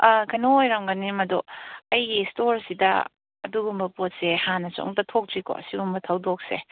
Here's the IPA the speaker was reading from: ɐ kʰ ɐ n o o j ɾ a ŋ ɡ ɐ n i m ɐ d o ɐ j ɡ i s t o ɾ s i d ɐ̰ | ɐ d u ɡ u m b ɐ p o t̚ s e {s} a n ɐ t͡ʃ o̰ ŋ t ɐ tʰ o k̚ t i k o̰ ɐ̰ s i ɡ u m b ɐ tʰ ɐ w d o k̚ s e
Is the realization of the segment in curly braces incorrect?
yes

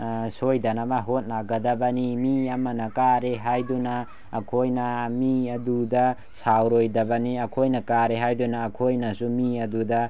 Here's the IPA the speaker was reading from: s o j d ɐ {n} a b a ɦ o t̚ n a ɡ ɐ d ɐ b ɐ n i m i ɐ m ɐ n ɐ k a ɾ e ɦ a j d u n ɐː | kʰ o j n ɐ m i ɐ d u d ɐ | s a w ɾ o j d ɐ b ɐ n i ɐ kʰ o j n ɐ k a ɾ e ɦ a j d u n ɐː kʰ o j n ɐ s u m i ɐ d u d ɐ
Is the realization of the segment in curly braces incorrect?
no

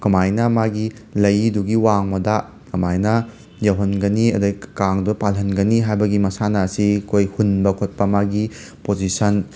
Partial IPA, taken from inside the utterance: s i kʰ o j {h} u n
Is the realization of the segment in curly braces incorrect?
no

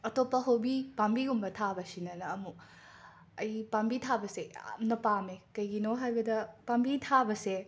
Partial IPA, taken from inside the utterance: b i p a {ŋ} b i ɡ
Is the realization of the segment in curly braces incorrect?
yes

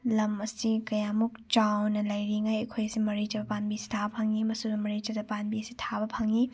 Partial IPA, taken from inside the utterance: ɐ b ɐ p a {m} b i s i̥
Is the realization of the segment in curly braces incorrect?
yes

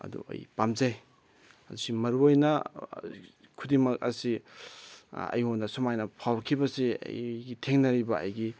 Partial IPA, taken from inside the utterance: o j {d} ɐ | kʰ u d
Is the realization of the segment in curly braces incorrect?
yes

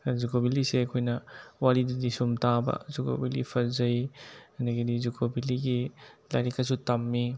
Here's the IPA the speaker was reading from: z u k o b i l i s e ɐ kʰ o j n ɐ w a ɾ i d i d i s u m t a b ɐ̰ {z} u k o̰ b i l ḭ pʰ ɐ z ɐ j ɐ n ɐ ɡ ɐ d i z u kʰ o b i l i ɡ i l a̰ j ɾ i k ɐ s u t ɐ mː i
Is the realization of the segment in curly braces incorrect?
no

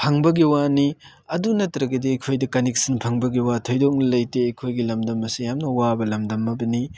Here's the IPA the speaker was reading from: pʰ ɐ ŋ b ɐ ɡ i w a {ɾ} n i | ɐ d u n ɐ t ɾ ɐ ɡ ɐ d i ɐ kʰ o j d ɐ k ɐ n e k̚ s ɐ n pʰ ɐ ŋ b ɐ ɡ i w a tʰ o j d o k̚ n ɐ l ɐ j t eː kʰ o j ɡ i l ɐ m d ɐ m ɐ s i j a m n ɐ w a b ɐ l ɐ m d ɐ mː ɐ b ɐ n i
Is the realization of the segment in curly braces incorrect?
yes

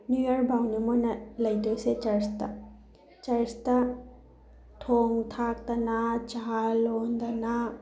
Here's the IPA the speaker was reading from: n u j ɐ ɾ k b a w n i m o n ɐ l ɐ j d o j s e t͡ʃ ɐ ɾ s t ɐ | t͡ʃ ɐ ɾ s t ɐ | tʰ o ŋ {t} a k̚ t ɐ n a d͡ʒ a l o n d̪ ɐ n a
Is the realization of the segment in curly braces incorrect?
yes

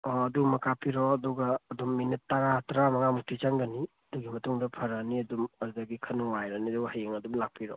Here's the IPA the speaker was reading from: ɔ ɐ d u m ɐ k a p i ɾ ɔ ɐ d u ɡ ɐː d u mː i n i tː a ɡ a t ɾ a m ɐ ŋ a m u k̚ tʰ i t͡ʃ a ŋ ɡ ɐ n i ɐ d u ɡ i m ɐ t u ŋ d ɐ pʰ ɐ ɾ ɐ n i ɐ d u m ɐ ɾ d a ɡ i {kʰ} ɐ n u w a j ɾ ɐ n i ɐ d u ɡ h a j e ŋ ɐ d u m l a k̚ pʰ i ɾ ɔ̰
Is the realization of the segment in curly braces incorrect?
no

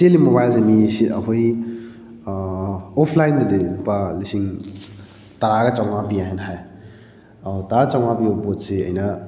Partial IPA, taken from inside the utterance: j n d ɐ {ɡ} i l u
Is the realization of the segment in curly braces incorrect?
yes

